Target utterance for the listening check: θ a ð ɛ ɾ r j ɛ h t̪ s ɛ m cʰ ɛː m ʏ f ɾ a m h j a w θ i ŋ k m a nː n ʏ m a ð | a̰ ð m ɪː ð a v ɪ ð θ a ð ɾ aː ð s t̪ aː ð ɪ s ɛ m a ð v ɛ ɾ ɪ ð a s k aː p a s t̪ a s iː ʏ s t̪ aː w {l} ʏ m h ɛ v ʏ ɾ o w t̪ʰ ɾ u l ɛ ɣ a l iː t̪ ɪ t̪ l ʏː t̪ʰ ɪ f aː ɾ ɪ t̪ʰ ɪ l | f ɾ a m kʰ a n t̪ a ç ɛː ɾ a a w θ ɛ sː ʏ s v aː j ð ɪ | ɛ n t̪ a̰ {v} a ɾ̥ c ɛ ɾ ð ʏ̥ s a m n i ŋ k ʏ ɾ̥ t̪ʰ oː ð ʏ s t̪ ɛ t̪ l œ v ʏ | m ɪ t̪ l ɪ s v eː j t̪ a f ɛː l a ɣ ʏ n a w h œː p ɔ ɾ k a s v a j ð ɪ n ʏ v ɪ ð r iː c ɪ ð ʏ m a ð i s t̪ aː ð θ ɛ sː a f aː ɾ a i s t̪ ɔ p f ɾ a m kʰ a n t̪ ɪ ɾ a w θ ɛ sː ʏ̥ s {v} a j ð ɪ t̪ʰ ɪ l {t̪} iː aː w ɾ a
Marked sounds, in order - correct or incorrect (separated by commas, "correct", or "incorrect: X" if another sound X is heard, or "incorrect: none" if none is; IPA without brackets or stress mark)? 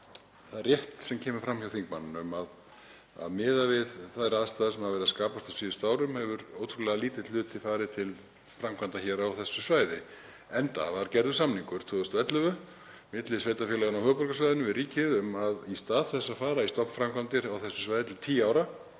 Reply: incorrect: ɾ, correct, correct, incorrect: t̪ʰ